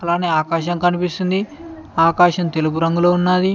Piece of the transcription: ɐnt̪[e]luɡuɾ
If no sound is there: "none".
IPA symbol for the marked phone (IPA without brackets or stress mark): e